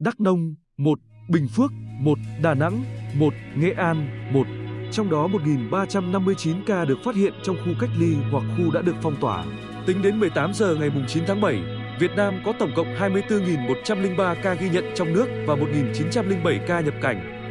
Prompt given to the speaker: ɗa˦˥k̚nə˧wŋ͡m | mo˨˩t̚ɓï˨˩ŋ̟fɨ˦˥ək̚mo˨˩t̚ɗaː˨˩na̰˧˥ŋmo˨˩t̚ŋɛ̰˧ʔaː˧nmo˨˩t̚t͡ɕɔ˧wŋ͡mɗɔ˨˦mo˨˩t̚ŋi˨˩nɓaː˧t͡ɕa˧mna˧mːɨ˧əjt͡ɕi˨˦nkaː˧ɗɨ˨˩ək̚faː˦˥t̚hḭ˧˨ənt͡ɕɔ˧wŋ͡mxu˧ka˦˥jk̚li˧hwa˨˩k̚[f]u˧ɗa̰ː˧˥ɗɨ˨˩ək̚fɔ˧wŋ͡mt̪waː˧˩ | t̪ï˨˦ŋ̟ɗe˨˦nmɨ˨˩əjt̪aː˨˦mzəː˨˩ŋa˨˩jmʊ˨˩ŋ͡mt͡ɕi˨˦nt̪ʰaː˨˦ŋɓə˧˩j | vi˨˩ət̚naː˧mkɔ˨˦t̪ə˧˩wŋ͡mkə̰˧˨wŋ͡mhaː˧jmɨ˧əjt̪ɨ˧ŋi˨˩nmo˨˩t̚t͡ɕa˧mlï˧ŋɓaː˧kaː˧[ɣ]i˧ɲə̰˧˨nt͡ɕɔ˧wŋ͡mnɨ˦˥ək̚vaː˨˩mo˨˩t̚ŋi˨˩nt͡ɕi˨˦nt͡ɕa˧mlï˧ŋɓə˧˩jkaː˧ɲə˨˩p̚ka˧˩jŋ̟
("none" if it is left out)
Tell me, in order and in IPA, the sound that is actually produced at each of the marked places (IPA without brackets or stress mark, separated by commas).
x, ɣ